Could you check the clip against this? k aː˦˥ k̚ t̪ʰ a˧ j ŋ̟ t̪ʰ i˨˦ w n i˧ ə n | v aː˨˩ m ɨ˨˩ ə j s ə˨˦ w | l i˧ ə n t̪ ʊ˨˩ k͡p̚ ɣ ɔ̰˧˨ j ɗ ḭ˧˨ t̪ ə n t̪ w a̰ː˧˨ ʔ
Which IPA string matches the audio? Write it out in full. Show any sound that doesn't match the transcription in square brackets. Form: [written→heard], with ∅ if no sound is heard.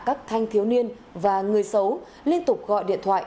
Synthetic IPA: k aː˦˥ k̚ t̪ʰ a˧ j ŋ̟ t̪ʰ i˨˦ w n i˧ ə n | v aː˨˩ [m→ŋ] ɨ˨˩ ə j s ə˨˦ w | l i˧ ə n t̪ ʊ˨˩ k͡p̚ ɣ ɔ̰˧˨ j ɗ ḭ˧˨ [t̪→∅] ə n [t̪→t̪ʰ] w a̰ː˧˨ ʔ